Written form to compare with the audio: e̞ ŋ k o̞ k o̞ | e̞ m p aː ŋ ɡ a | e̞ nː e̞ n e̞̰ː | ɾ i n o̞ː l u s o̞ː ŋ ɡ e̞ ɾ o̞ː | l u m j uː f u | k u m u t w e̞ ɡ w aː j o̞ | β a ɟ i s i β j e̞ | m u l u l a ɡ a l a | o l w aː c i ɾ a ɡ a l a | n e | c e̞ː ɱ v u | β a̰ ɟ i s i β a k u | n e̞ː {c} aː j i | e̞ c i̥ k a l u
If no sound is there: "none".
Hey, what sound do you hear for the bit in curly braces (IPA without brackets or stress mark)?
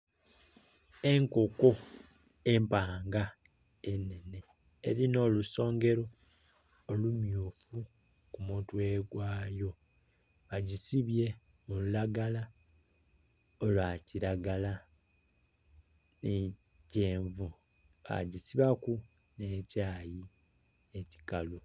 c